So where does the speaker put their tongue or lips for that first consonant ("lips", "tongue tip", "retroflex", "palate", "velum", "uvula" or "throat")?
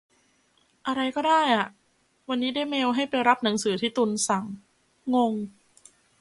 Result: throat